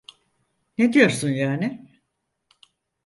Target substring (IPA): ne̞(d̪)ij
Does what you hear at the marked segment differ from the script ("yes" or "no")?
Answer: no